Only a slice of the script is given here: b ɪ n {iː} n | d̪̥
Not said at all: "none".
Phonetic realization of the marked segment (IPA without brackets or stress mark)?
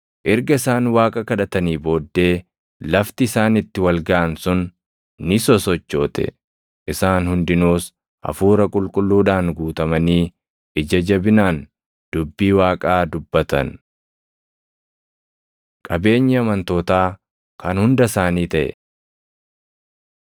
aː